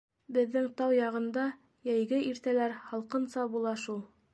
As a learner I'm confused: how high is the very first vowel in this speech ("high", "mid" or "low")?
mid